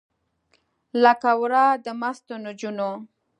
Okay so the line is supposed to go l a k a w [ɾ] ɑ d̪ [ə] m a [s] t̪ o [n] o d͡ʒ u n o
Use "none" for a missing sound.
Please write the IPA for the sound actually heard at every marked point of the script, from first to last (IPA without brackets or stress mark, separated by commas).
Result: ɾ, ə, s, n